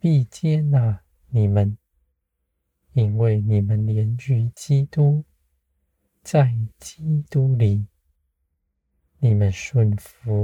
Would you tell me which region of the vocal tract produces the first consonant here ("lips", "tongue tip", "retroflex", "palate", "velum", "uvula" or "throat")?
lips